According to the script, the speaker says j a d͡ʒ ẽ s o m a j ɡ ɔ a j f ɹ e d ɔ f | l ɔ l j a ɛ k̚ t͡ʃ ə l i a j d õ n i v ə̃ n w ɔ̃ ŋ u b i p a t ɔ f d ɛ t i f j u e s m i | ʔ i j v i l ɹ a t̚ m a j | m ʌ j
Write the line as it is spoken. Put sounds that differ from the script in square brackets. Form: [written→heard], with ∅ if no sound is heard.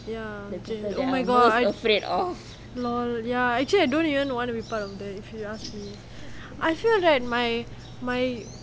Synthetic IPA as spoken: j a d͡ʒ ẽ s o m a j ɡ ɔ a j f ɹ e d ɔ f | l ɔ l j a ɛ k̚ t͡ʃ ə l i a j d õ n i v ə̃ n w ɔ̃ [ŋ→n] u b i p a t ɔ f d ɛ t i f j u [e→a] s m i | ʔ [i→a] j [v→f] i l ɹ a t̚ m a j | m [ʌ→a] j